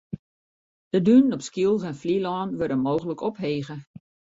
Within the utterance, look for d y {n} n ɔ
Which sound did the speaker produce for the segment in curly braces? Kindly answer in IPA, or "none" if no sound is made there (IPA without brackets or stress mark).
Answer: n